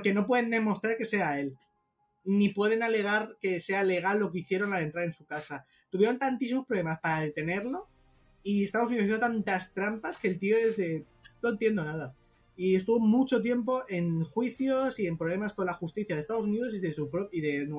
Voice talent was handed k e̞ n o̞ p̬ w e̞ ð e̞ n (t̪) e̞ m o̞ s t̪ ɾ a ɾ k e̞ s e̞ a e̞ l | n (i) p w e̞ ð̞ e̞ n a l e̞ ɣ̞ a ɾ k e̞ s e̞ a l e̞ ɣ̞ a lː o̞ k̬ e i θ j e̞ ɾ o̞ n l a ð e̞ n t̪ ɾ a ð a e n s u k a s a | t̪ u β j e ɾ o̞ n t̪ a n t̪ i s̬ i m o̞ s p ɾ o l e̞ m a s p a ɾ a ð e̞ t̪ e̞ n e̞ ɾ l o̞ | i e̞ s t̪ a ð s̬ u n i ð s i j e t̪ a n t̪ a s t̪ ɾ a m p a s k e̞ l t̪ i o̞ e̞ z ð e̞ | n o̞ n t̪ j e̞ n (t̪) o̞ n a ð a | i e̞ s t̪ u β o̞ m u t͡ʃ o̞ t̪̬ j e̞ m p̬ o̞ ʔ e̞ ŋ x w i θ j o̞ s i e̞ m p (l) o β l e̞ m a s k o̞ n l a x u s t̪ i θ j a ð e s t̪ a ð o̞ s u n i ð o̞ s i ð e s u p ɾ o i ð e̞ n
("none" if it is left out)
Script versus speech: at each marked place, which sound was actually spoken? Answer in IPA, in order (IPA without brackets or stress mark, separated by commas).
d̪, i, d̪, ɾ